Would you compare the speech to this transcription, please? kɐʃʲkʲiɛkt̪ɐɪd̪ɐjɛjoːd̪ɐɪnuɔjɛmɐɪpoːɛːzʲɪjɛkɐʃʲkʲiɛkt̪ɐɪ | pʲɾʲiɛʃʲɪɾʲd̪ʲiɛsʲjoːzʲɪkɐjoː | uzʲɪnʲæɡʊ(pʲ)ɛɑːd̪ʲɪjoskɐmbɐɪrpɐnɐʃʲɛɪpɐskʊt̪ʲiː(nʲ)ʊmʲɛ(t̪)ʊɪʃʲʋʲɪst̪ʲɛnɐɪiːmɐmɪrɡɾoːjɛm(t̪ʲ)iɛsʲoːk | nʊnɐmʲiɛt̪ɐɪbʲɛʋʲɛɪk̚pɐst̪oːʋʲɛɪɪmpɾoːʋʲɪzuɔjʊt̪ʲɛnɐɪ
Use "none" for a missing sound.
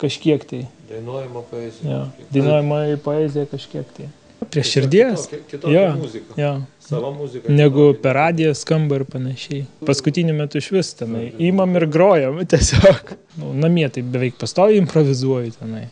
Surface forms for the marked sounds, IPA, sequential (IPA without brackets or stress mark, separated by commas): pʲ, nʲ, t̪, t̪ʲ